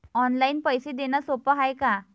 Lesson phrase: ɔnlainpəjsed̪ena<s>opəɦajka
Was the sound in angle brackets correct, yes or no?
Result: yes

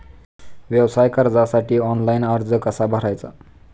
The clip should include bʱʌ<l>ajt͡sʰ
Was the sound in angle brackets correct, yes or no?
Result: no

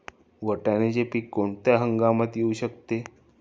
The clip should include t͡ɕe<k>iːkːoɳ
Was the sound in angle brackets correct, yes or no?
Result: no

